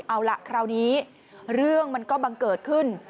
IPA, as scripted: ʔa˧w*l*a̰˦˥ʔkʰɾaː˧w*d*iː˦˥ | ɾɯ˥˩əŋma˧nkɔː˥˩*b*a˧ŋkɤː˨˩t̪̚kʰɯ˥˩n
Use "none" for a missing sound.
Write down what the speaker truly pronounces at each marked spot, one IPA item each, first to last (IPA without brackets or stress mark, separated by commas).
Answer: l, n, b